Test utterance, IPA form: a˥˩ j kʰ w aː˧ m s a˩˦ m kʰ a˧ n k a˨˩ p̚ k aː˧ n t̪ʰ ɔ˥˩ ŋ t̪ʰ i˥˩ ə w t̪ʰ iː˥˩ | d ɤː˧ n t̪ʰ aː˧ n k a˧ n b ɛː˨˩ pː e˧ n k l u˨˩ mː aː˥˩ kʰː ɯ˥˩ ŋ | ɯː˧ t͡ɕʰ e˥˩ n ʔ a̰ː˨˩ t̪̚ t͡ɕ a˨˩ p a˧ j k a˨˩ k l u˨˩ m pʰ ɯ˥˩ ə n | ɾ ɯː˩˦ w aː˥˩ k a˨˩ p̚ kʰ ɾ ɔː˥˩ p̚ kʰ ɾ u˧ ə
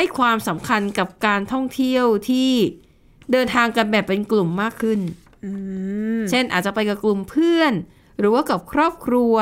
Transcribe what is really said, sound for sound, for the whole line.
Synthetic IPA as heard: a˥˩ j kʰ w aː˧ m s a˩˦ m kʰ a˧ n k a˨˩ p̚ k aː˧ n t̪ʰ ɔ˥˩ ŋ t̪ʰ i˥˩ ə w t̪ʰ iː˥˩ | d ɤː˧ n t̪ʰ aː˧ ŋ k a˧ n b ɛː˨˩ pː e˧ n k l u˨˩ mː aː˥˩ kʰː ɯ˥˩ n | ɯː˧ t͡ɕʰ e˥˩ n ʔ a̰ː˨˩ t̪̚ t͡ɕ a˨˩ p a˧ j k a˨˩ k l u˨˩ m pʰ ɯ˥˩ ə n | ɾ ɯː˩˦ w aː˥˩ k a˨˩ p̚ kʰ ɾ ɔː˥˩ p̚ kʰ ɾ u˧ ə